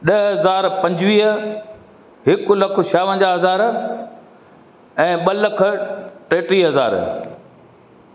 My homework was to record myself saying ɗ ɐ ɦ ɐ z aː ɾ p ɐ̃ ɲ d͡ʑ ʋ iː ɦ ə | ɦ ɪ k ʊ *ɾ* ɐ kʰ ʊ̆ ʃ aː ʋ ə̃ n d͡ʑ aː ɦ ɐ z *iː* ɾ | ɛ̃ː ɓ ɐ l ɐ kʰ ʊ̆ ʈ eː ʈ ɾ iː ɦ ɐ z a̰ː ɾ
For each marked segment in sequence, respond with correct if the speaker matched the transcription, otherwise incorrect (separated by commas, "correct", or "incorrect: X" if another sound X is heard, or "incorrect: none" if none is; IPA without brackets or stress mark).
incorrect: l, incorrect: aː